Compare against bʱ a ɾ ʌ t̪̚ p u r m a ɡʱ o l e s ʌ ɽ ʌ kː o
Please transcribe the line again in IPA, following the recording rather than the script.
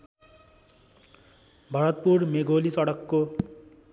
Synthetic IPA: bʱ ʌ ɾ ʌ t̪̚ p u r m e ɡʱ o l i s ʌ ɽ ʌ kː o